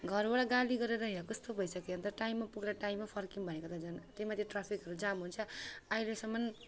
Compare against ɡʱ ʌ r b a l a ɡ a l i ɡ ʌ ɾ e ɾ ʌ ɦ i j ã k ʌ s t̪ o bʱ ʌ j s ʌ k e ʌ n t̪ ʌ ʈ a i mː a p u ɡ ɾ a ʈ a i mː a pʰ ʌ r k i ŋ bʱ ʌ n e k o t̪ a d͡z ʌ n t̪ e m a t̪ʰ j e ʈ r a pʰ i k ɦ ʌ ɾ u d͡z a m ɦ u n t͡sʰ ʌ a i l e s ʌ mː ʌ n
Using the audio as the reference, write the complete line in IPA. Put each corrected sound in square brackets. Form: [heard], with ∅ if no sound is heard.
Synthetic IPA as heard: ɡʱ ʌ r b a [ɽ] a ɡ a l i ɡ ʌ ɾ e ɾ ʌ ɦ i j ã k ʌ s t̪ o bʱ ʌ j s ʌ k e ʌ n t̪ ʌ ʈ a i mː a p u ɡ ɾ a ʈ a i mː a pʰ ʌ r k i ŋ bʱ ʌ n e k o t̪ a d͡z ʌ n t̪ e m a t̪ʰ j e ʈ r a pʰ i k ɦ ʌ ɾ u d͡z a m ɦ u n t͡sʰ ʌ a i l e s ʌ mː ʌ n